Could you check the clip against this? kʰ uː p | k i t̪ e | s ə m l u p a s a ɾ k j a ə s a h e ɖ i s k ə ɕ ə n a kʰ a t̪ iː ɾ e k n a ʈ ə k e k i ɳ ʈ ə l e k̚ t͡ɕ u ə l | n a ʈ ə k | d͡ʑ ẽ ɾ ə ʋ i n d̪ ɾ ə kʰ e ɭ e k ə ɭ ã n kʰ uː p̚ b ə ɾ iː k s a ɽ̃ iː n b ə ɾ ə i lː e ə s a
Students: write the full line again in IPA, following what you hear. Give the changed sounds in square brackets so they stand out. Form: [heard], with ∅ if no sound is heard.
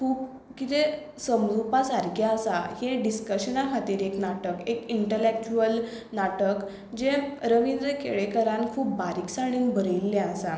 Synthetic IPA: kʰ uː p | k i t̪ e | s ə m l u p a s a ɾ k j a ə s a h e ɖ i s k ə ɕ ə n a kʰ a t̪ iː ɾ e k n a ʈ ə k e k i ɳ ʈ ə l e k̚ t͡ɕ u ə l | n a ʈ ə k | d͡ʑ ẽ ɾ ə ʋ i n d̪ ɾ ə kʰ e ɭ e k ə [ɾ] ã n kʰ uː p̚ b [a] ɾ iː k s a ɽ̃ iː n b ə ɾ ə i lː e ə s a